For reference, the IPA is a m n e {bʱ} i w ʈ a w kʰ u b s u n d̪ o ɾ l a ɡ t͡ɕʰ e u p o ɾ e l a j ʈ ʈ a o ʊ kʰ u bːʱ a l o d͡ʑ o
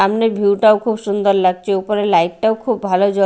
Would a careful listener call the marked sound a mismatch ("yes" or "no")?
no